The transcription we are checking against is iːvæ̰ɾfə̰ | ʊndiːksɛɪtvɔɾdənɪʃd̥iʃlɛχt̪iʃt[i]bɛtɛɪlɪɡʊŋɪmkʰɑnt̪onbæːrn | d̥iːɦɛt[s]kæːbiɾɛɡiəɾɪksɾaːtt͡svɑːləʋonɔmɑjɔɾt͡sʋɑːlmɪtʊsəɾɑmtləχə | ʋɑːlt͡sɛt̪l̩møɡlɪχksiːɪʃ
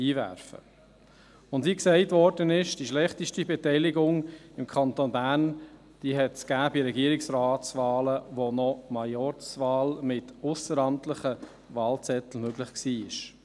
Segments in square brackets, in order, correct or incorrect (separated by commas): correct, correct